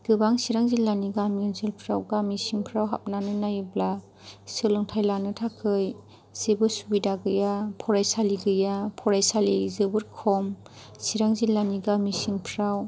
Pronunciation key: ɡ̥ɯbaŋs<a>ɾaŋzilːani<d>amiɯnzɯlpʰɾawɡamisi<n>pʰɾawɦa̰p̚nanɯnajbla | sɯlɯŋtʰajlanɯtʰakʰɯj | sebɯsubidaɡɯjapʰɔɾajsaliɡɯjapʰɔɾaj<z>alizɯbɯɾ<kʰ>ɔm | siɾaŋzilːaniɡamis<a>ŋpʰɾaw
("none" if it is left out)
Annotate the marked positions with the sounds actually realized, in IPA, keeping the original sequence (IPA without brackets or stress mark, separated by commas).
i, ɡ, ŋ, s, kʰ, i